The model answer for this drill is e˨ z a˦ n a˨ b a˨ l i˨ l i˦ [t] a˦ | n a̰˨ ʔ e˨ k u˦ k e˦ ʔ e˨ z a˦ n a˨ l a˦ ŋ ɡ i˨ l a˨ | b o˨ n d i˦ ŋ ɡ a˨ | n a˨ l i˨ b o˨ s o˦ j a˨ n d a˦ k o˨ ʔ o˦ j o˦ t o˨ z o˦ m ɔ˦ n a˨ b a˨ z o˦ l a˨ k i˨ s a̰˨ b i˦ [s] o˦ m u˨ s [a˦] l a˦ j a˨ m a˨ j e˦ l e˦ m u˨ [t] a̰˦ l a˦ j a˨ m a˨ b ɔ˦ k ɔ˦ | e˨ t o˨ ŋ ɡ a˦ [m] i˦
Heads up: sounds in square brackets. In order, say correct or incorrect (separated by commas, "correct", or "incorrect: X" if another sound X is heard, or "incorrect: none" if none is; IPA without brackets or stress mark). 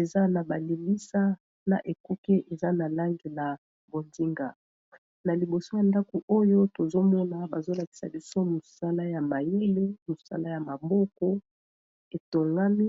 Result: incorrect: s, correct, correct, incorrect: s, correct